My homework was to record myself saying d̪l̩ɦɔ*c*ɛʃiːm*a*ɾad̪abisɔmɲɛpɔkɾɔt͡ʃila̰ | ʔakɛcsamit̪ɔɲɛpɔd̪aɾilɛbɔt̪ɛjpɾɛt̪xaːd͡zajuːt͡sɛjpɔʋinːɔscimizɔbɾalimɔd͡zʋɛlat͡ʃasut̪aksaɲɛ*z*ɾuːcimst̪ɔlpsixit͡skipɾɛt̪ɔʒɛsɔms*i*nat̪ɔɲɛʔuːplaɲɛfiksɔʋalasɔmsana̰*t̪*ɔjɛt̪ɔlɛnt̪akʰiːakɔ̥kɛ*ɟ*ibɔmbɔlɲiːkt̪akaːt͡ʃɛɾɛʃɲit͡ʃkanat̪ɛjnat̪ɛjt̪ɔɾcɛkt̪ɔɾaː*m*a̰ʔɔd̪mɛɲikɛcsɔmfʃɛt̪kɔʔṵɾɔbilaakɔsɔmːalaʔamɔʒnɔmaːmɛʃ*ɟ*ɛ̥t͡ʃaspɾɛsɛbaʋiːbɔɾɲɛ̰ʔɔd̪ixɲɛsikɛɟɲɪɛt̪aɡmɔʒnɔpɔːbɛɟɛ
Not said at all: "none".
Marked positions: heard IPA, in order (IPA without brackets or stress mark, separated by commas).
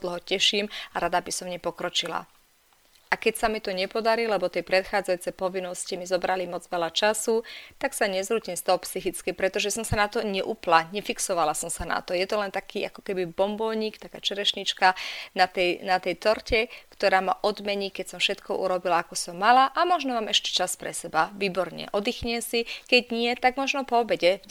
c, a, z, a, t̪, b, m, c